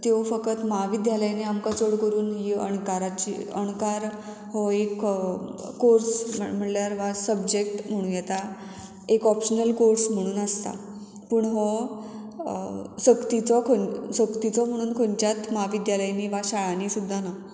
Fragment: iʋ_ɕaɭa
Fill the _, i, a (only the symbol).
a